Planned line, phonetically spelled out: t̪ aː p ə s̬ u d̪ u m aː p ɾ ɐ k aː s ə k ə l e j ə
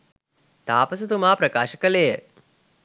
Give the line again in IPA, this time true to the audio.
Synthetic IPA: t̪ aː p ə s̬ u t̪ u m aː p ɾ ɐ k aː ʃ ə k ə l e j ə

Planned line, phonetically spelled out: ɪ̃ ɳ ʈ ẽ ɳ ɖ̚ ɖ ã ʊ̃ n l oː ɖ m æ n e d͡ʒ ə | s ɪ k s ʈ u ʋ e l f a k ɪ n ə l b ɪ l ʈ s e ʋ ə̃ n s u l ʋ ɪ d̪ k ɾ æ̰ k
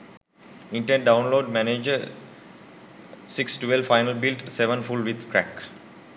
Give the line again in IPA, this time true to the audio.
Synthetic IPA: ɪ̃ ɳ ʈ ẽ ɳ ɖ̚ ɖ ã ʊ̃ n l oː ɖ m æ n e d͡ʒ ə | s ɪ k s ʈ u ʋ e l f a ɪ n ə l b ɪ l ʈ s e ʋ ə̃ n f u l ʋ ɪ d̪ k ɾ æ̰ k

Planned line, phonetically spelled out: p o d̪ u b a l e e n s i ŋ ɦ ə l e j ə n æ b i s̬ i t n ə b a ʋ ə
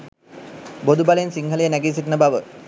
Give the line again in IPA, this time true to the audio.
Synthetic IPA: b o d̪ u b a l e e n s i ŋ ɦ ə l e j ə n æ ɡ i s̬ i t n ə b a ʋ ə

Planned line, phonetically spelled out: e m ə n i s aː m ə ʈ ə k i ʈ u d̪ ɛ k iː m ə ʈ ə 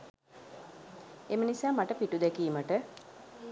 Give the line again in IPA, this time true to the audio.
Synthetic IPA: e m ə n i s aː m a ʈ ə p i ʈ u d̪ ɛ k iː m ə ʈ ə

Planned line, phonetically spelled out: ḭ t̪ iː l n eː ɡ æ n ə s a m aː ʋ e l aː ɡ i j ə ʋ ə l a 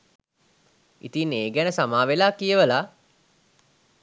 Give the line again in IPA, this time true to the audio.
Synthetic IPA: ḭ t̪ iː n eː ɡ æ n ə s a m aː ʋ e l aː k i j ə ʋ ə l a

